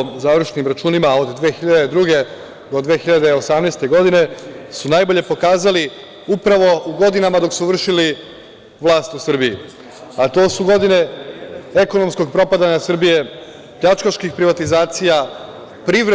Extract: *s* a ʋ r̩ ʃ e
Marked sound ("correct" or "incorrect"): incorrect